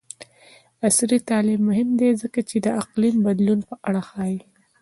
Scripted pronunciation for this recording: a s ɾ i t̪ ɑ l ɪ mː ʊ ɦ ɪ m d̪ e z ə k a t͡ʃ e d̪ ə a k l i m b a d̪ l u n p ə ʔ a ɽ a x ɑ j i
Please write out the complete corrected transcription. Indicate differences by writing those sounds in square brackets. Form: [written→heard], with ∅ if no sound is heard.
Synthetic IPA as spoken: a s ɾ i t̪ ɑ l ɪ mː ʊ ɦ ɪ m d̪ e z ə k a t͡ʃ e d̪ ə a [k→q] l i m b a d̪ l u n p ə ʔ a ɽ a x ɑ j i